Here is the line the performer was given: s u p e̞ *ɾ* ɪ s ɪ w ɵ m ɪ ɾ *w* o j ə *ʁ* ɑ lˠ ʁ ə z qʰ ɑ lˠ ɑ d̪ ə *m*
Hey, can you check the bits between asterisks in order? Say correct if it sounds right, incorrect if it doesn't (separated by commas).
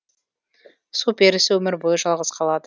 correct, incorrect, incorrect, incorrect